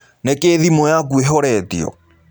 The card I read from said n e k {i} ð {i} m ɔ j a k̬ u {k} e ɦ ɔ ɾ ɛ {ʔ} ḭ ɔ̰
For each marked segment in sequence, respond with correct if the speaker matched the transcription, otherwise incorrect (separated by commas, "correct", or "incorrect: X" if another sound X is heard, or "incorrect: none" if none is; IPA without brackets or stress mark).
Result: incorrect: e, correct, incorrect: none, incorrect: t